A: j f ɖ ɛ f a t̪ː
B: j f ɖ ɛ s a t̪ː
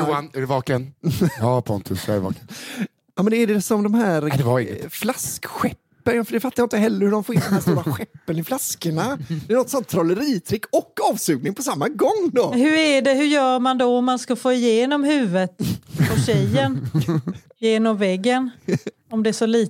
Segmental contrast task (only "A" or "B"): A